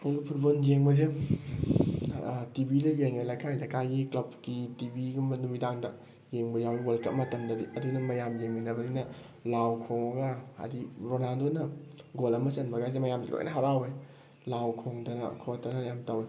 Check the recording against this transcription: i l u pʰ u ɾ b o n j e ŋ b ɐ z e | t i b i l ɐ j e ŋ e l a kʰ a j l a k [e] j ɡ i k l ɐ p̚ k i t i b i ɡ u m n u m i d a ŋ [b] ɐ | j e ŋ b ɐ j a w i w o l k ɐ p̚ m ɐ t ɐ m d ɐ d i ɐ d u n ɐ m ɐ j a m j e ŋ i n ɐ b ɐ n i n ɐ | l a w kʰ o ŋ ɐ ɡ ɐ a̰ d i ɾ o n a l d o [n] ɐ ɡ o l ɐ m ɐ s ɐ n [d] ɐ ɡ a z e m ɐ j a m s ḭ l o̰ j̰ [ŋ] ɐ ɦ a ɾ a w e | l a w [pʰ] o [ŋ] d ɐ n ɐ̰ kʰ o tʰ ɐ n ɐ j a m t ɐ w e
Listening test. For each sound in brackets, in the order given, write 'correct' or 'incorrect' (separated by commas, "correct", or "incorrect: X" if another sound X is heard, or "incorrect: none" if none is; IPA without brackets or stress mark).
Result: incorrect: a, incorrect: d, correct, incorrect: b, incorrect: n, incorrect: kʰ, correct